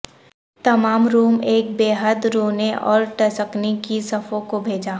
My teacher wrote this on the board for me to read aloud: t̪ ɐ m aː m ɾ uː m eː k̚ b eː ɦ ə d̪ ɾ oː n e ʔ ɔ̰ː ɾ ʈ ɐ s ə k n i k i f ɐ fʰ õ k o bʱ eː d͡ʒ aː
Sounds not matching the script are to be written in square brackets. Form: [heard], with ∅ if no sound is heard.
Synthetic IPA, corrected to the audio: t̪ ɐ m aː m ɾ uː m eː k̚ b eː ɦ ə d̪ ɾ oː n e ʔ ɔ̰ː ɾ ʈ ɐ s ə k n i k i [s] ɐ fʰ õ k o bʱ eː d͡ʒ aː